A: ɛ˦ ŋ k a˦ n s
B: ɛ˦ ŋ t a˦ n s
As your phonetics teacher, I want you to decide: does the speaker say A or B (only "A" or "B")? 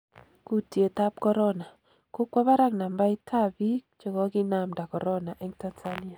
B